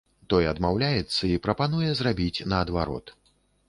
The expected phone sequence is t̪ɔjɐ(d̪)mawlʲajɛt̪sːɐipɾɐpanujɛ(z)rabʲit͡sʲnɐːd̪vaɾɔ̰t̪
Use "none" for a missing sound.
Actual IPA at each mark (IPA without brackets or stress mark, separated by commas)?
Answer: d̪, z